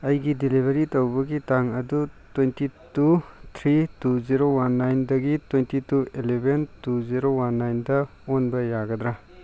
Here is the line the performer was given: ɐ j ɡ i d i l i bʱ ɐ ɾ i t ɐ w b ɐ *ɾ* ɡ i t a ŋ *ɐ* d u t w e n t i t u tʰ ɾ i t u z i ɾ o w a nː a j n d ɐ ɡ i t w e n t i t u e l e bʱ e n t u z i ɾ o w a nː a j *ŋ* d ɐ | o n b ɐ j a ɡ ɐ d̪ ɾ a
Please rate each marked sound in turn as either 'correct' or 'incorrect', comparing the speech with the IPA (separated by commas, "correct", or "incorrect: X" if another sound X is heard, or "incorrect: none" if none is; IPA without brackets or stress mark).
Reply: incorrect: none, correct, incorrect: n